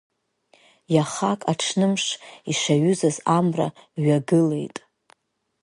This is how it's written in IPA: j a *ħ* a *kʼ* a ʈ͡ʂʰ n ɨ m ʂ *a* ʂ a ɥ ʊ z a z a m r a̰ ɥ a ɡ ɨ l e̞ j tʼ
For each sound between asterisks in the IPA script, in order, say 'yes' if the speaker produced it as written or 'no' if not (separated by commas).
no, yes, no